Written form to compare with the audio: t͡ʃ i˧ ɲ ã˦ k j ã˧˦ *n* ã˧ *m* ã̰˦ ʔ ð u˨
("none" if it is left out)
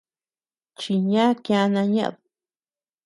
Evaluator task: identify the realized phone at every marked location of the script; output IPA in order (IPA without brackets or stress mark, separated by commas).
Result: n, ɲ